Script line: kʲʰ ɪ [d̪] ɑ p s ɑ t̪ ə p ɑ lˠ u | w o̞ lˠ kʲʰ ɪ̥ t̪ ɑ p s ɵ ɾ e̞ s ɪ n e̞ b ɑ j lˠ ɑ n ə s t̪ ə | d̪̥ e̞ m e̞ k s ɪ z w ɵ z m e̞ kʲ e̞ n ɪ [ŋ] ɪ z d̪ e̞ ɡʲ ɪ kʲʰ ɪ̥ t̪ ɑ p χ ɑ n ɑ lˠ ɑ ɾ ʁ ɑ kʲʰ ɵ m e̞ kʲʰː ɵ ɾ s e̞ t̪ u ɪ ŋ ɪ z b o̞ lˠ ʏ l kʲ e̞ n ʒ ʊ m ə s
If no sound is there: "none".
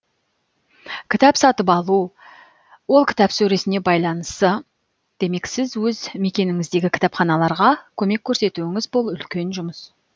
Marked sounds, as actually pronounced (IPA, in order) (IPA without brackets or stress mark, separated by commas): t̪, ŋ